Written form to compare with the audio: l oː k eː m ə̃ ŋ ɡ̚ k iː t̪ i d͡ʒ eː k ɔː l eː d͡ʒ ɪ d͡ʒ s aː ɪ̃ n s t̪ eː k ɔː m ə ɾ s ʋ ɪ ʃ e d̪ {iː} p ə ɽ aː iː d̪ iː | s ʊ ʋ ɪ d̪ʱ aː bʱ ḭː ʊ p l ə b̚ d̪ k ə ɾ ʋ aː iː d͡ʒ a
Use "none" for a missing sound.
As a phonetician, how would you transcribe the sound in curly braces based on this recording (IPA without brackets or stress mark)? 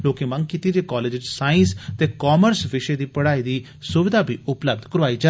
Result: iː